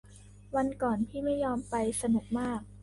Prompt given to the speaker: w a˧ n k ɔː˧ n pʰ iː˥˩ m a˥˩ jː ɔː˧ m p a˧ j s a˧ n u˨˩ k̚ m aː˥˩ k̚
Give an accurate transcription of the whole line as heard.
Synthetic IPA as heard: w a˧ n k ɔː˨˩ n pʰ iː˥˩ m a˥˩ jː ɔː˧ m p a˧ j s a˧ n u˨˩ k̚ m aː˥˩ k̚